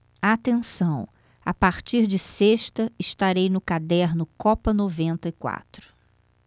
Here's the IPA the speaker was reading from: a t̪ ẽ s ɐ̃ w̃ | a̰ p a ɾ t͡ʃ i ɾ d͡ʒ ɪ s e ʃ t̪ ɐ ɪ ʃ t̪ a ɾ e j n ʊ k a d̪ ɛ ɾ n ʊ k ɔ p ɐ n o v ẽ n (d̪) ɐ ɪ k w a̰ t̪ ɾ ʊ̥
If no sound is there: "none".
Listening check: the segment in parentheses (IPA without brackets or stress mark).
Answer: t̪